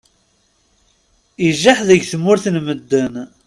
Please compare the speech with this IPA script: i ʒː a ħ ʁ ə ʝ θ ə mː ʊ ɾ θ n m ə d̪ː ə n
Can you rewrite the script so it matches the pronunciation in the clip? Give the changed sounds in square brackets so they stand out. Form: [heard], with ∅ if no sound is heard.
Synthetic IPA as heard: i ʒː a ħ [ð] ə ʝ θ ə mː ʊ ɾ θ n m ə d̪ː ə n